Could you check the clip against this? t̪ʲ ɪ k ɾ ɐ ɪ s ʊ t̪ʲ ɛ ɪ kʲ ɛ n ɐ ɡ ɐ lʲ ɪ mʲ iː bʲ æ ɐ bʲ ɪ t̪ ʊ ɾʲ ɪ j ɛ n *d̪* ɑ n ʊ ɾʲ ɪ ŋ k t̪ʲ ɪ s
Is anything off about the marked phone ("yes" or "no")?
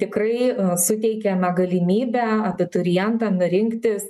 yes